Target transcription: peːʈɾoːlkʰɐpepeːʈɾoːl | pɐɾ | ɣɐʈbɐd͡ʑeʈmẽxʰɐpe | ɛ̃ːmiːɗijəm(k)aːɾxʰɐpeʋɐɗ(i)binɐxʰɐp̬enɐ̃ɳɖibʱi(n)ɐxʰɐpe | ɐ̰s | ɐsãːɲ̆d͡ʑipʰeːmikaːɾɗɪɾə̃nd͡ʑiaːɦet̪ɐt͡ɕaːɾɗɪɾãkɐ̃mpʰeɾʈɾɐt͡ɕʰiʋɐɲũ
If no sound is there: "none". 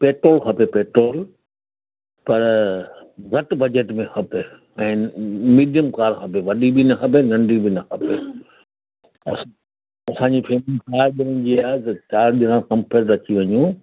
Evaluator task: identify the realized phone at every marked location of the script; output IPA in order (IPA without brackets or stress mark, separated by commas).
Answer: k, i, n